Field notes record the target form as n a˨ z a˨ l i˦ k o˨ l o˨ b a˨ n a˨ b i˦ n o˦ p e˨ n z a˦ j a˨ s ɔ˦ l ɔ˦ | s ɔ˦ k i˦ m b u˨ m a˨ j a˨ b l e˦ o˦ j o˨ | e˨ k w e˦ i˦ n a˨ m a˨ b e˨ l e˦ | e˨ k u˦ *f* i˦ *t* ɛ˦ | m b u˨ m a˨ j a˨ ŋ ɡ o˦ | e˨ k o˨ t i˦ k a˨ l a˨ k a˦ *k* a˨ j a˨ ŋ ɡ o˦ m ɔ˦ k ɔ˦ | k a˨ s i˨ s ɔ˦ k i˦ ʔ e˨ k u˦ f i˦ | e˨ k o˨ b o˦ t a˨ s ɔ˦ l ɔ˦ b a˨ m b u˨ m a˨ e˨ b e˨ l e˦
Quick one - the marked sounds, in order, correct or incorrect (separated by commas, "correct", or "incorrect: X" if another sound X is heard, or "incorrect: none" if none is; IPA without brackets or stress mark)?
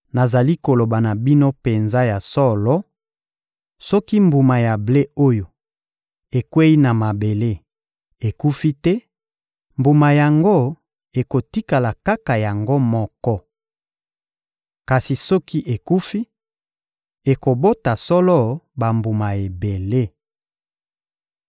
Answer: correct, correct, correct